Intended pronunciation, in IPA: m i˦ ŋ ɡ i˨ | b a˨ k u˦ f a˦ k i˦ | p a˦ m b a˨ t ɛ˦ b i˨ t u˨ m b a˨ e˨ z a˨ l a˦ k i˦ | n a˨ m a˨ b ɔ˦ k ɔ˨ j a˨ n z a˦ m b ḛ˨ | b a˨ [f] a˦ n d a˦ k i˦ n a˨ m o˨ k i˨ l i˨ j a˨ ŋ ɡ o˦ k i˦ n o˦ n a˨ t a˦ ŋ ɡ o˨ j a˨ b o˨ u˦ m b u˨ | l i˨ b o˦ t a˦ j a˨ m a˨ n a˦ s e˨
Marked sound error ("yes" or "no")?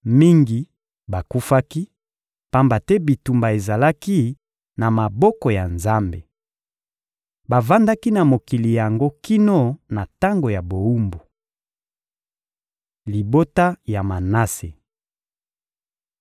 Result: yes